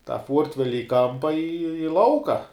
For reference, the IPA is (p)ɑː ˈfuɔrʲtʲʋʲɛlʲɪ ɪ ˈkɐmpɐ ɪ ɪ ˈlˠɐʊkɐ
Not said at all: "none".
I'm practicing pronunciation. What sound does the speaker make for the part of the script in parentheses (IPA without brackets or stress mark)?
t